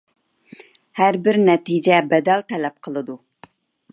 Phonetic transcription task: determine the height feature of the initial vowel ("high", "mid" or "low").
low